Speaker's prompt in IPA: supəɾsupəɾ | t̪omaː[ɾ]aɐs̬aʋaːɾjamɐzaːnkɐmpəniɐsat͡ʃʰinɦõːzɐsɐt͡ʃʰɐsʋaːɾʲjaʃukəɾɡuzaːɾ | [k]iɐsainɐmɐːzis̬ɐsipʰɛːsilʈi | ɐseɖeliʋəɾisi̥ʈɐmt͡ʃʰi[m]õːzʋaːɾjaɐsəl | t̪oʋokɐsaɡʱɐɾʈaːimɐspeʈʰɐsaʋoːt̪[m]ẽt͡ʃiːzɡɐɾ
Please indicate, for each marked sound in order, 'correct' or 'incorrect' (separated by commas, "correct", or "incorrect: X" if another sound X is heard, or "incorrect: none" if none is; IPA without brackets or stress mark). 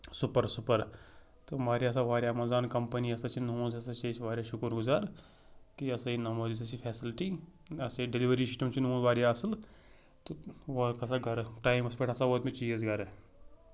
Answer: correct, correct, incorrect: n, correct